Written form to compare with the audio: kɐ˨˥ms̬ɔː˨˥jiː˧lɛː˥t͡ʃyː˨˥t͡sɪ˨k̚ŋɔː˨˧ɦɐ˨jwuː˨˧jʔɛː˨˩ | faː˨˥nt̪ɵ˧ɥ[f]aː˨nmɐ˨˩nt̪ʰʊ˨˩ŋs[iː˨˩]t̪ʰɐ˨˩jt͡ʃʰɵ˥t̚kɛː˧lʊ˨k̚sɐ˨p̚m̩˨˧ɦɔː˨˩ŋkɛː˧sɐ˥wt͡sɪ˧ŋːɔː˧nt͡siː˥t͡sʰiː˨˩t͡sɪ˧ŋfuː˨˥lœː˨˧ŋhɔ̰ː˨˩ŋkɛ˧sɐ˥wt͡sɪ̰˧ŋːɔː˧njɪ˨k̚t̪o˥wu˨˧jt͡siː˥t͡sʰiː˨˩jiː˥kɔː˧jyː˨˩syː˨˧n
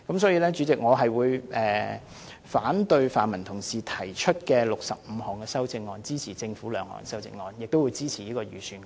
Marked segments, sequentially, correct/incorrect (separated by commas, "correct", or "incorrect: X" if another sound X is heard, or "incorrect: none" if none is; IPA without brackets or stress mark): correct, correct